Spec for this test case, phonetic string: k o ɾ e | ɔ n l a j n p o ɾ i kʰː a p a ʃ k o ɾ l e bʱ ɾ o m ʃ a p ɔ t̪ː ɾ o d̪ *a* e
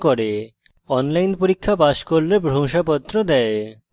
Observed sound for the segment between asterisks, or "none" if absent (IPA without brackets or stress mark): ɛ